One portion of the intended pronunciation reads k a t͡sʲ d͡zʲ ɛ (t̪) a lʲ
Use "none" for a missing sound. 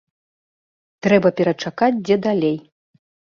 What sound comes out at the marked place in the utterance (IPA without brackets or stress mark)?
d̪